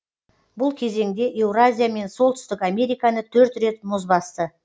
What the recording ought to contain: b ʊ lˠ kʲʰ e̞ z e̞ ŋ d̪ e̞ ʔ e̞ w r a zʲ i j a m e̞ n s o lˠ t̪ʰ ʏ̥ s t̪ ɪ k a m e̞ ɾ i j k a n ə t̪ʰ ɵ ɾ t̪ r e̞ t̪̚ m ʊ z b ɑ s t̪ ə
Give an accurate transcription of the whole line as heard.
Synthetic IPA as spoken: b ʊ lˠ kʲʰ e̞ z e̞ ŋ d̪ e̞ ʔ e̞ w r a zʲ i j a m e̞ n s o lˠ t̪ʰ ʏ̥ s t̪ ɪ k a m e̞ ɾ i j k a n ə t̪ʰ ɵ ɾ t̪ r e̞ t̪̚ m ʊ z b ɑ s t̪ ə